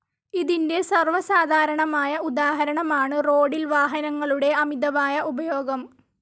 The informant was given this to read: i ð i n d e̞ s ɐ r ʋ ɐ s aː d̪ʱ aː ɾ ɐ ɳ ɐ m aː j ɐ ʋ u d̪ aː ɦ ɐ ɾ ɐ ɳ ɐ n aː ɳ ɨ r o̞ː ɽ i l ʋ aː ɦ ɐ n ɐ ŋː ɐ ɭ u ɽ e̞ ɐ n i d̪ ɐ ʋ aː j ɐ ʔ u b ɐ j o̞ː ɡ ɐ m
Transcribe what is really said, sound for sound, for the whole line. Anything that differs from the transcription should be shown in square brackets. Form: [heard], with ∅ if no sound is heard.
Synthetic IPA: i ð i n d e̞ s ɐ r ʋ ɐ s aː d̪ʱ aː ɾ ɐ ɳ ɐ m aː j ɐ [∅] u d̪ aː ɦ ɐ ɾ ɐ ɳ ɐ [m] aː ɳ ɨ r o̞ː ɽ i l ʋ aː ɦ ɐ n ɐ ŋː ɐ ɭ u ɽ e̞ ɐ [m] i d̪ ɐ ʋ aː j ɐ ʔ u b ɐ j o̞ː ɡ ɐ m